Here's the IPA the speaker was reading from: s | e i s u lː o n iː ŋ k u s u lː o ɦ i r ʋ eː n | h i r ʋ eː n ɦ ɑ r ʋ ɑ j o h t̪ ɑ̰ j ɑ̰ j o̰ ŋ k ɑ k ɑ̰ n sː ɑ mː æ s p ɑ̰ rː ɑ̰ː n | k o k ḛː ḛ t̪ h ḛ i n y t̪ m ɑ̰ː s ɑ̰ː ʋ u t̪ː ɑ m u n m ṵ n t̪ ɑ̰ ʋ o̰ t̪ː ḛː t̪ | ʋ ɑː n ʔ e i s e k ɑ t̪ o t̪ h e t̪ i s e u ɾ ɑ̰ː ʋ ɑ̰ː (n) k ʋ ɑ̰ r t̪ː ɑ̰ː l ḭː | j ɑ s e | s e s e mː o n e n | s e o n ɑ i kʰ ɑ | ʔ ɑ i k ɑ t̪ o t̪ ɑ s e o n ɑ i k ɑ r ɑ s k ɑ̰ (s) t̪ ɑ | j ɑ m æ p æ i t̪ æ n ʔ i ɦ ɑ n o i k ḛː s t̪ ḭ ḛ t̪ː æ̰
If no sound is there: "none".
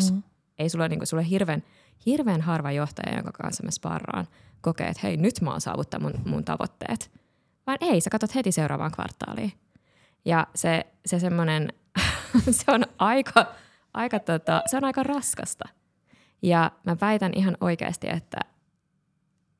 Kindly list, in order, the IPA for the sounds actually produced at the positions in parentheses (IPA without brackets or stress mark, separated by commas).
ŋ, s